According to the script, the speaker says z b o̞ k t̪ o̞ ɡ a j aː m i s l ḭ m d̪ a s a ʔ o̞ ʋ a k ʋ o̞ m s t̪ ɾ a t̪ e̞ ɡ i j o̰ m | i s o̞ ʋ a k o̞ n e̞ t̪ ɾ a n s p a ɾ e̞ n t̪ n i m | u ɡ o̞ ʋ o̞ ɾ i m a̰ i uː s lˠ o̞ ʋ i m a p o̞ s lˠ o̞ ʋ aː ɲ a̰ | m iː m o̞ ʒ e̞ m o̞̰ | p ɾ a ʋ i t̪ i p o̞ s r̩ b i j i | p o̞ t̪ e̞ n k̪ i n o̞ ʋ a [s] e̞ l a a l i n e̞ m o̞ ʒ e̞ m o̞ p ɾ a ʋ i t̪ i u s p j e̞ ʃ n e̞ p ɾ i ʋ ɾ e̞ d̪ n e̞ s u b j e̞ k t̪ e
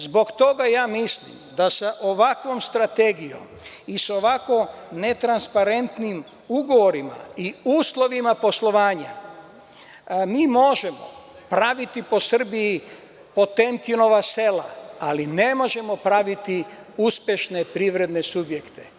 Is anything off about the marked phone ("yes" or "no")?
no